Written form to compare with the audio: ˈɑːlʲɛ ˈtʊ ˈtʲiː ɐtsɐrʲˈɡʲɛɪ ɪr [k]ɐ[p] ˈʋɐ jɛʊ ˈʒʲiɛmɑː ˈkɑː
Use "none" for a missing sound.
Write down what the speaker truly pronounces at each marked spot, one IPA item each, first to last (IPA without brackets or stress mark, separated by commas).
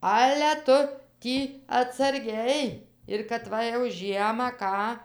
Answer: k, t